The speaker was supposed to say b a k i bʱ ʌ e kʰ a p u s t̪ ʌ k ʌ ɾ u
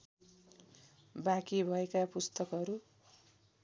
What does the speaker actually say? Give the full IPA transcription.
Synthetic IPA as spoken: b a k i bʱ ʌ e k a p u s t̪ ʌ k ʌ ɾ u